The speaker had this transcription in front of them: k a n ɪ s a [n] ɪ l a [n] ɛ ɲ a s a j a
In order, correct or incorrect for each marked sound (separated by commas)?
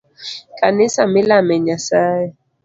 incorrect, incorrect